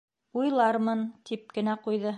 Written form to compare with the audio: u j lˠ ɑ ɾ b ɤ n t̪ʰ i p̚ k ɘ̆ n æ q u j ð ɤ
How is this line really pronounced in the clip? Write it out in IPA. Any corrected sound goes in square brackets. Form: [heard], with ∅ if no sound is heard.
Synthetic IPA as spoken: u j lˠ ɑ ɾ [m] ɤ n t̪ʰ i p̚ k ɘ̆ n æ q u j ð ɤ